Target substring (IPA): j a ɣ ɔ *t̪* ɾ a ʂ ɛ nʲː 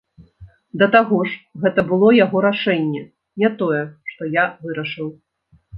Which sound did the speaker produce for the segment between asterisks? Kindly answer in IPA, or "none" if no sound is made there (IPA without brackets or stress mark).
none